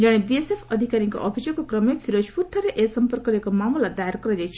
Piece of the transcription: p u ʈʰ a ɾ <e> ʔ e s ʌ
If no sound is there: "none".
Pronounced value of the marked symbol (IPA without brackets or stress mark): e